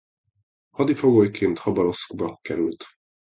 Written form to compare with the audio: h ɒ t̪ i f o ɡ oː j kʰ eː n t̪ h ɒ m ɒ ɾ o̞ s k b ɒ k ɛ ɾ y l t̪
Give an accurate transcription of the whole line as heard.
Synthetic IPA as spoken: h ɒ d̪ i f o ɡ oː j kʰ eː n t̪ h ɒ b ɒ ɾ o̞ s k b ɒ k ɛ ɾ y l t̪